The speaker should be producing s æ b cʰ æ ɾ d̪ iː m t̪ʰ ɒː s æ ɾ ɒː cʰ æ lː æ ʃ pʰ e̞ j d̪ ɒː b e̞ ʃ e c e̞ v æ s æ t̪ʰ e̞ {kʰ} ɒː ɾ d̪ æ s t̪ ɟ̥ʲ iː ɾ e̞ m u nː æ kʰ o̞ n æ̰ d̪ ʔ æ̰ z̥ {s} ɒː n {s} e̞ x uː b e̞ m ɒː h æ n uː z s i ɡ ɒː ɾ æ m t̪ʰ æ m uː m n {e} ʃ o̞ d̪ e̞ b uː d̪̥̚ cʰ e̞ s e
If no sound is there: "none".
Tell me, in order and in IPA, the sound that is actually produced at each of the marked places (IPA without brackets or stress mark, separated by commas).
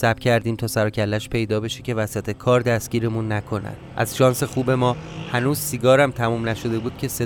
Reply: kʰ, ʃ, s, æ